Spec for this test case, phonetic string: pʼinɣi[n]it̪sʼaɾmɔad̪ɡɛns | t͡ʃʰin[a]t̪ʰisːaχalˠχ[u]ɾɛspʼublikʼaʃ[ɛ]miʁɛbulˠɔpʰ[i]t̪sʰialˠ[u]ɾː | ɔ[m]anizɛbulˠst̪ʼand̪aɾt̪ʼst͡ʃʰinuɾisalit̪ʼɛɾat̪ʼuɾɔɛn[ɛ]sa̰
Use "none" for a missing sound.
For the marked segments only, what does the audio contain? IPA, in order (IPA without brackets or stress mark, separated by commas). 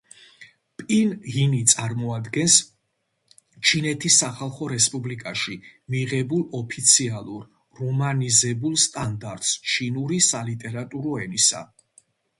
n, ɛ, ɔ, i, i, u, m, i